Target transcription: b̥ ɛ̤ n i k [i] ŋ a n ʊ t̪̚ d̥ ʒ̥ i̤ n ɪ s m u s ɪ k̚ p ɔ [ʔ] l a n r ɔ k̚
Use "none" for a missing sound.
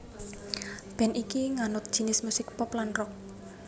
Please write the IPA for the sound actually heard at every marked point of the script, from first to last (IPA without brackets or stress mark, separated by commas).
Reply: i, p